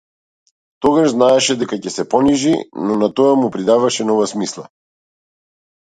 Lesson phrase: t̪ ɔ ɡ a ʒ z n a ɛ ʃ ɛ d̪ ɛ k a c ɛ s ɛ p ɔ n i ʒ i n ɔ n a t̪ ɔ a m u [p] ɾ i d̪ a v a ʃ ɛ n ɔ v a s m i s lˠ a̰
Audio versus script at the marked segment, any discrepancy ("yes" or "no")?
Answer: no